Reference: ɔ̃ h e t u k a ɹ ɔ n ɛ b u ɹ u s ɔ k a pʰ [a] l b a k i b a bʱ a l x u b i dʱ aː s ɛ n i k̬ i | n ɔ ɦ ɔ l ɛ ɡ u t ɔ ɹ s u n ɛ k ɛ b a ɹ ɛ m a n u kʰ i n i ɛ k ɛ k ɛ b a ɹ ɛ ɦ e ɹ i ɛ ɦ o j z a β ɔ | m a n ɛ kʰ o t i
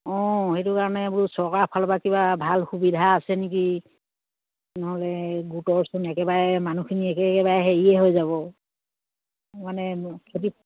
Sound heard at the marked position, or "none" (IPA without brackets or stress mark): a